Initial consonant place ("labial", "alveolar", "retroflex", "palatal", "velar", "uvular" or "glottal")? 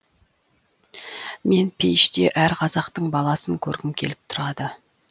labial